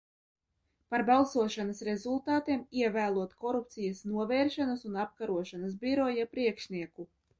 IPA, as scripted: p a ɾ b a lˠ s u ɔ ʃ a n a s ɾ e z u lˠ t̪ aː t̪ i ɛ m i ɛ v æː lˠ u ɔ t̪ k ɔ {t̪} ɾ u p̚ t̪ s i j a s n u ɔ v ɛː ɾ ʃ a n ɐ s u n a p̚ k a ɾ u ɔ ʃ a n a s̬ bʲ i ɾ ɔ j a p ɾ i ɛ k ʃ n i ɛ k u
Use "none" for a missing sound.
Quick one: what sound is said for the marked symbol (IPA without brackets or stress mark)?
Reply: none